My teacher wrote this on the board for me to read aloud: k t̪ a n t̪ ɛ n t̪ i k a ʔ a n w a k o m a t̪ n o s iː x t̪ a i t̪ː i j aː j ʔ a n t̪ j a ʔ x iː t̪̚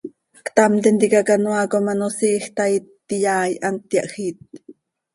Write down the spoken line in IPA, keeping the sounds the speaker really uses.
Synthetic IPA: k t̪ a m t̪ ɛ n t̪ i k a k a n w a k o m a n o s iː x t̪ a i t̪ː i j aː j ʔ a n t̪ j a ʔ x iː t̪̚